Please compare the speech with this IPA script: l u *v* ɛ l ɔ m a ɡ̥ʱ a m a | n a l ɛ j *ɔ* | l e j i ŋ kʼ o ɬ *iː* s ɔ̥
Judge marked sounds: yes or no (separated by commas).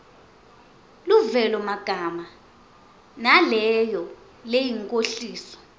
yes, yes, yes